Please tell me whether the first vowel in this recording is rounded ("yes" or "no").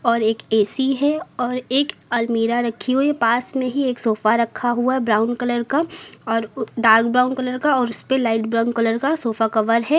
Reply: yes